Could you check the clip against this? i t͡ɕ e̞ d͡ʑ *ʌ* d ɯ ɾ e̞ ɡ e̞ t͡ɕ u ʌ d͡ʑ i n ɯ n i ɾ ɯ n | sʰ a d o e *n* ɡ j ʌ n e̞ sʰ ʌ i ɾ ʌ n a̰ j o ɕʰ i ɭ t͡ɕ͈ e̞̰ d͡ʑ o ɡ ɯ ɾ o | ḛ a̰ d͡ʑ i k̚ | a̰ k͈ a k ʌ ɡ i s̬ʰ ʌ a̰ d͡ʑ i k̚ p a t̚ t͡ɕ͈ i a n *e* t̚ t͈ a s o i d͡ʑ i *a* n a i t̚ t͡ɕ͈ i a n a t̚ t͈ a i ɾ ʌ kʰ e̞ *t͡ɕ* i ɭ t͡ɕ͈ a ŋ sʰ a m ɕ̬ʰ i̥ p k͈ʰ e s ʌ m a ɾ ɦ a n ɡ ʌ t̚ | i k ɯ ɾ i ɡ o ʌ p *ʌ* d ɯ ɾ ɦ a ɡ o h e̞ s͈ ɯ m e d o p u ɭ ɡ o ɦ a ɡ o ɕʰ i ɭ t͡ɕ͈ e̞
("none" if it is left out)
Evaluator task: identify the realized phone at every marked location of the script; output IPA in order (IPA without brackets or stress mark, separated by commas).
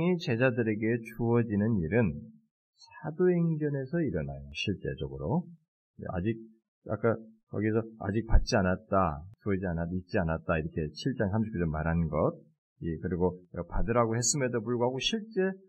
a, ŋ, a, a, t͡ɕʰ, a